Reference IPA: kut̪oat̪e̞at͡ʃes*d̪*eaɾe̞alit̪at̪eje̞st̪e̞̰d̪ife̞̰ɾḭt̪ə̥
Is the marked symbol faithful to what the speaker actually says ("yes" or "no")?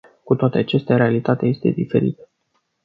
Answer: no